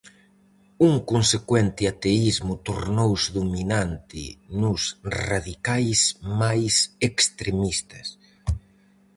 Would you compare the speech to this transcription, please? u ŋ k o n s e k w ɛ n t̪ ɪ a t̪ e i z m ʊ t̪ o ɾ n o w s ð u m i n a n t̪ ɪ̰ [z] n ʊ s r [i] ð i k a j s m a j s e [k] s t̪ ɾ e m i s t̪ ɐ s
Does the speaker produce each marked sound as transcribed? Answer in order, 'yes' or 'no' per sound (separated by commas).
no, no, yes